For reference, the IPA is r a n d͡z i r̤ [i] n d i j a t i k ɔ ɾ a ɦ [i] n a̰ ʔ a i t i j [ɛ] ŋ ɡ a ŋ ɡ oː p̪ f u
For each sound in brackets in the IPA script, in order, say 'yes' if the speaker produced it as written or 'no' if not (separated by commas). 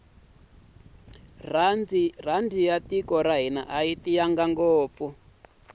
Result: no, yes, no